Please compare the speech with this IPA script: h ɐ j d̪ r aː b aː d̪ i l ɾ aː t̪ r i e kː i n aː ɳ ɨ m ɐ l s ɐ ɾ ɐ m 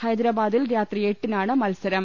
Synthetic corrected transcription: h ɐ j d̪ ɾ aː b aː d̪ i l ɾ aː t̪ r i e ʈː i n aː ɳ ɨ m ɐ l s ɐ ɾ ɐ m

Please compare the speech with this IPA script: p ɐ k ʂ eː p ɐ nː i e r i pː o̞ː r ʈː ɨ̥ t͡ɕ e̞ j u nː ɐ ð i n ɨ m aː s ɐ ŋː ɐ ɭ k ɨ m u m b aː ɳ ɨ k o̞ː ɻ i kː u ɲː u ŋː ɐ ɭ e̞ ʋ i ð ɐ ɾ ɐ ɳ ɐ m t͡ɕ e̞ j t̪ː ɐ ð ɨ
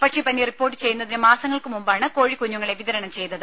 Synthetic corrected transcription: p ɐ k ʂ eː p ɐ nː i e r i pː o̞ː r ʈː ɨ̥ t͡ɕ e̞ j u nː ɐ ð i n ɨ m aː s ɐ ŋː ɐ ɭ k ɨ m u m b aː ɳ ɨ k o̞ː ɻ i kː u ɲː u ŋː ɐ ɭ e̞ ʋ i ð ɐ ɾ ɐ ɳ ɐ m t͡ɕ e̞ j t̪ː ɐ ð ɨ

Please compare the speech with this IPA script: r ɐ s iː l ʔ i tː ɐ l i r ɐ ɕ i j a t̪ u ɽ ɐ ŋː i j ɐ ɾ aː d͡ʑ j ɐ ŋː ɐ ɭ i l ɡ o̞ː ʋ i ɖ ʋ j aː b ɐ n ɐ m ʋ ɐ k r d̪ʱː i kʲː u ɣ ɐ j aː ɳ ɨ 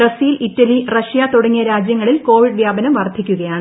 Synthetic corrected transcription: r ɐ s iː l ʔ i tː ɐ l i r ɐ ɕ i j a t̪ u ɽ ɐ ŋː i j ɐ ɾ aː d͡ʑ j ɐ ŋː ɐ ɭ i l k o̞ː ʋ i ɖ ʋ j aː b ɐ n ɐ m ʋ ɐ r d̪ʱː i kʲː u ɣ ɐ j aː ɳ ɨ

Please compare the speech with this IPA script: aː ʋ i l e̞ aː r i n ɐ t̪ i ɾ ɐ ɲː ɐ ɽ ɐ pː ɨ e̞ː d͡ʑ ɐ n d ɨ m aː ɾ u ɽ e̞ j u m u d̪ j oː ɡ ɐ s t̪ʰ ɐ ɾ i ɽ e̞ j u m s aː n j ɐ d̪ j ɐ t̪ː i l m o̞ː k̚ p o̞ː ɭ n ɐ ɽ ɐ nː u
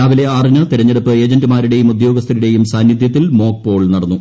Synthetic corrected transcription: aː ʋ i l e̞ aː r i n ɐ t̪ i ɾ ɐ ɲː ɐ ɽ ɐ pː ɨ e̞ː d͡ʑ ɐ n d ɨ m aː ɾ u ɽ e̞ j u m u d̪ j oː ɡ ɐ s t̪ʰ ɐ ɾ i ɽ e̞ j u m s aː n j ɐ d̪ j ɐ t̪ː i l m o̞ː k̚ p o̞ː ɭ n ɐ ɽ ɐ nː u

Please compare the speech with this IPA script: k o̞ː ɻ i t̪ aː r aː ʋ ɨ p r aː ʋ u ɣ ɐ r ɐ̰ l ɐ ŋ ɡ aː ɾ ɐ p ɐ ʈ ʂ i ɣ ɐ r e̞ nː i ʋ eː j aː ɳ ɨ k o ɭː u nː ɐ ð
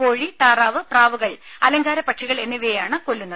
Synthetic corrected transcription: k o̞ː ɻ i t̪ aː r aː ʋ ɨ p r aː ʋ u ɣ ɐ ɭ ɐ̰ l ɐ ŋ ɡ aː ɾ ɐ p ɐ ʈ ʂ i ɣ ɐ ɭ e̞ nː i ʋ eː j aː ɳ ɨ k o lː u nː ɐ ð

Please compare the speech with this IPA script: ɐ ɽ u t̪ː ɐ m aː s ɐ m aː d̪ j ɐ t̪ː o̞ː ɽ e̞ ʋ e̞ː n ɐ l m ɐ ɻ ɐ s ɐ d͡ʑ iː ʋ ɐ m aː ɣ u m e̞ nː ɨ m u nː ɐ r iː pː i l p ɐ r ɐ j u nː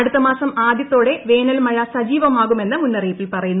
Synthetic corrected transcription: ɐ ɽ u t̪ː ɐ m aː s ɐ m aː d̪ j ɐ t̪ː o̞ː ɽ e̞ ʋ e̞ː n ɐ l m ɐ ɻ ɐ s ɐ d͡ʑ iː ʋ ɐ m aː ɣ u m e̞ nː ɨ m u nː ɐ r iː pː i l p ɐ r ɐ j u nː

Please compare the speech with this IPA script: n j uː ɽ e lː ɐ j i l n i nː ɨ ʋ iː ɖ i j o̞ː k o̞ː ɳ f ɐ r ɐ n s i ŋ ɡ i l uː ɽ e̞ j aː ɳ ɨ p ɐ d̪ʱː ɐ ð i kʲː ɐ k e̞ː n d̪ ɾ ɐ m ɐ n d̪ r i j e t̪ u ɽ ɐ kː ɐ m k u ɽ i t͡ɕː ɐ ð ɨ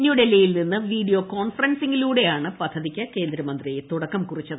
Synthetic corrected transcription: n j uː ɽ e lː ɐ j i l n i nː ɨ ʋ iː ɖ i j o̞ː k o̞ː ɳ f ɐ r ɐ n s i ŋ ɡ i l uː ɽ e̞ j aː ɳ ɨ p ɐ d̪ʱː ɐ ð i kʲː ɐ k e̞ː n d̪ ɾ ɐ m ɐ n d̪ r i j e t̪ u ɽ ɐ kː ɐ m k u r i t͡ɕː ɐ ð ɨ

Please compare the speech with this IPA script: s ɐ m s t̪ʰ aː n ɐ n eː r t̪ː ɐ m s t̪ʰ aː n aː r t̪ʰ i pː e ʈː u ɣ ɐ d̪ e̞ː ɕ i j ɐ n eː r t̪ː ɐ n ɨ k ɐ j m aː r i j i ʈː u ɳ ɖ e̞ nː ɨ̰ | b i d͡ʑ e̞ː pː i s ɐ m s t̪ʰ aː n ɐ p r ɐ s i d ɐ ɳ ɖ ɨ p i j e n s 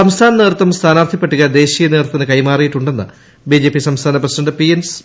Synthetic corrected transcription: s ɐ m s t̪ʰ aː n ɐ n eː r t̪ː ɐ m s t̪ʰ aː n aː r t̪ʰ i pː e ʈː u ɣ ɐ d̪ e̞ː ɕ i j ɐ n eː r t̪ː ɐ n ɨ k ɐ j m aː r i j i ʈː u ɳ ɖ e̞ nː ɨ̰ | b i d͡ʑ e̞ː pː i s ɐ m s t̪ʰ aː n ɐ p r ɐ s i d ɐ ɳ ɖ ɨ p i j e n s

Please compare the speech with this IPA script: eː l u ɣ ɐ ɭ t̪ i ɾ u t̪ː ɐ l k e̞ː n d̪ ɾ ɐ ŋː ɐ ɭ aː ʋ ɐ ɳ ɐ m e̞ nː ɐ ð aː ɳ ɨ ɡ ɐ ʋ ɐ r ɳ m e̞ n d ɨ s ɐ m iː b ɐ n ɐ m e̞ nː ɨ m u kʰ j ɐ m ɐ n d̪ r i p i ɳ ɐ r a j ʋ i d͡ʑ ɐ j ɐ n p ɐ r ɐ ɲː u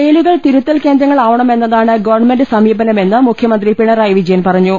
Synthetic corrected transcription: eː l u ɣ ɐ ɭ t̪ i ɾ u t̪ː ɐ l k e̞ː n d̪ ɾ ɐ ŋː ɐ ɭ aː ʋ ɐ ɳ ɐ m e̞ nː ɐ ð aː ɳ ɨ ɡ ɐ ʋ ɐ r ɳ m e̞ n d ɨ s ɐ m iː b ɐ n ɐ m e̞ nː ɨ m u kʰ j ɐ m ɐ n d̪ r i p i ɳ ɐ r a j ʋ i d͡ʑ ɐ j ɐ n p ɐ r ɐ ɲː u

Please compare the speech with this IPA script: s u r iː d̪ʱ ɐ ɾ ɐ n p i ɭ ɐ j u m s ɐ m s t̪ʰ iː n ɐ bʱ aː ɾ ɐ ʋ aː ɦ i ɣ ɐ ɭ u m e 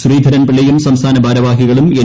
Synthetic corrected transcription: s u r iː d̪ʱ ɐ ɾ ɐ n p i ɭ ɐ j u m s ɐ m s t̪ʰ aː n ɐ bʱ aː ɾ ɐ ʋ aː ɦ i ɣ ɐ ɭ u m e

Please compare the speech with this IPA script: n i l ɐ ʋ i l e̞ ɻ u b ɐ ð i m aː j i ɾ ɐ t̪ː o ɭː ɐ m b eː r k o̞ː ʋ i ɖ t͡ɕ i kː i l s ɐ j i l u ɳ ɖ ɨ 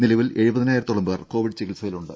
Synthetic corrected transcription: n i l ɐ ʋ i l e̞ ɻ u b ɐ ð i n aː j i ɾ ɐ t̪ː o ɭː ɐ m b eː r k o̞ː ʋ i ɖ t͡ɕ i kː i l s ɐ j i l u ɳ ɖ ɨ

